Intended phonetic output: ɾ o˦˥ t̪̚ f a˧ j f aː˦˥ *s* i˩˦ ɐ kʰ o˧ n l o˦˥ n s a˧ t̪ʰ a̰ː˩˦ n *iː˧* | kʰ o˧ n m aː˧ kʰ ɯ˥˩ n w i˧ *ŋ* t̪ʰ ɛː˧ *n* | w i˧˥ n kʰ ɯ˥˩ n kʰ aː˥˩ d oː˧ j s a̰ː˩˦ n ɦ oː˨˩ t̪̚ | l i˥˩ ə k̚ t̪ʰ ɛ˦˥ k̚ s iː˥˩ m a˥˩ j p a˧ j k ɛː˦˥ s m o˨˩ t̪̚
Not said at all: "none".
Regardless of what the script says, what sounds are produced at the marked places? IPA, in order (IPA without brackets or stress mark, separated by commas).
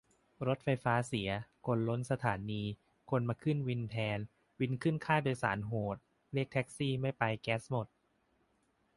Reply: s, iː˧, n, n